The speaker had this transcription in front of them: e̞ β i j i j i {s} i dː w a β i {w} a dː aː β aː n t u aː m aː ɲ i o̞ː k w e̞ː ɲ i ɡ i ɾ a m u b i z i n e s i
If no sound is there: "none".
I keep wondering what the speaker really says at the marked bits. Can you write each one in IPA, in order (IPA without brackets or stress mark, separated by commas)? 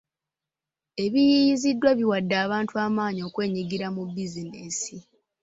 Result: z, w